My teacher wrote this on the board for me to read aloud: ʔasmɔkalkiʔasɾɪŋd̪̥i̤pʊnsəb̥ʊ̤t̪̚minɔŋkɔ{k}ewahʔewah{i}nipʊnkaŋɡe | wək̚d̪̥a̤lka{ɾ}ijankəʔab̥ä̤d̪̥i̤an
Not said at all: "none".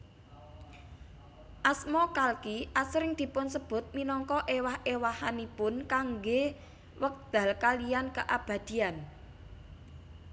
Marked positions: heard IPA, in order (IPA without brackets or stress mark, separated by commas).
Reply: ʔ, a, l